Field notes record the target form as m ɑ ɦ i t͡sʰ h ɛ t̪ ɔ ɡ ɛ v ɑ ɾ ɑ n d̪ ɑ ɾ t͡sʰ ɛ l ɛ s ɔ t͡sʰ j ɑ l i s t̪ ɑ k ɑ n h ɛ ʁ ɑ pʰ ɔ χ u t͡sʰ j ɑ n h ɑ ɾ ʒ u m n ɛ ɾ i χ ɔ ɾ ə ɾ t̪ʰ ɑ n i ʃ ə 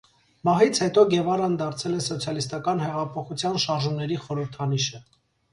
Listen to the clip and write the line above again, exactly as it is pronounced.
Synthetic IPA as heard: m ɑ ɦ i t͡sʰ h ɛ t̪ ɔ ɡ ɛ v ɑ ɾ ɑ n d̪ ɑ ɾ t͡sʰ ɛ l ɛ s ɔ t͡sʰ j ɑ l i s t̪ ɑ k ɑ n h ɛ ʁ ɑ pʰ ɔ χ u t͡sʰ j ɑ n ʃ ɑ ɾ ʒ u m n ɛ ɾ i χ ɔ ɾ ə ɾ t̪ʰ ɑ n i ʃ ə